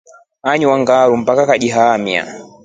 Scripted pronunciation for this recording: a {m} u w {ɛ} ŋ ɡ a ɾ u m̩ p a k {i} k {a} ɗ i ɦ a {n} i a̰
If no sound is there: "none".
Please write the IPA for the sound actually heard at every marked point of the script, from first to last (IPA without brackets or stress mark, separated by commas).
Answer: ɲ, a, a, a, m